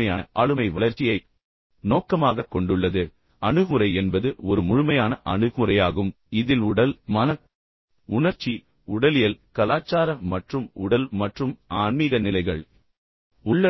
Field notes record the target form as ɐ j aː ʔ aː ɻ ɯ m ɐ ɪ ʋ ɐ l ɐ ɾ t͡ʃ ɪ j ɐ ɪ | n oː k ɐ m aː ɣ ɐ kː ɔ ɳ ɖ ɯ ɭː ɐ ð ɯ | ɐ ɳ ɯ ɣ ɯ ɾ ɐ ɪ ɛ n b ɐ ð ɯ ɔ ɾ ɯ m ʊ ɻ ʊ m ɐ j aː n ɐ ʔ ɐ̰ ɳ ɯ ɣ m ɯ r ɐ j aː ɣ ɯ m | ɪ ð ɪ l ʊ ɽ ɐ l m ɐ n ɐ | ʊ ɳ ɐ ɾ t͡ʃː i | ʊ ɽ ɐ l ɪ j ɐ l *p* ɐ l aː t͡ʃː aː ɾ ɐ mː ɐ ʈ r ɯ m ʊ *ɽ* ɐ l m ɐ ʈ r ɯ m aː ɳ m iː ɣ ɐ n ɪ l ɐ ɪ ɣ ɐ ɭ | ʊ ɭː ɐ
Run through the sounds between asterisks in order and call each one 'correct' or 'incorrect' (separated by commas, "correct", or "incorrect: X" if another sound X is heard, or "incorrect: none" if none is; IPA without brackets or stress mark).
incorrect: k, correct